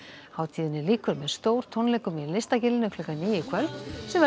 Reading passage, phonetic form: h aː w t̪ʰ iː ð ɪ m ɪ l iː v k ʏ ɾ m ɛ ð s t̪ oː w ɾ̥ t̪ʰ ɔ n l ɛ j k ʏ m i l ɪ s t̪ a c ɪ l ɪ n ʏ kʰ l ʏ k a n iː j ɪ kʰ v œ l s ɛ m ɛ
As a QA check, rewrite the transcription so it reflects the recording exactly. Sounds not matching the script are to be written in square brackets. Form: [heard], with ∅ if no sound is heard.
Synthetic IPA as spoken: h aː w t̪ʰ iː ð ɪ [n] ɪ l iː [∅] k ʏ ɾ m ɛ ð s t̪ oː w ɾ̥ t̪ʰ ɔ n l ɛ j k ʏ m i l ɪ s t̪ a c ɪ l ɪ n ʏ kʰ l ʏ k a n iː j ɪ kʰ v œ l s ɛ m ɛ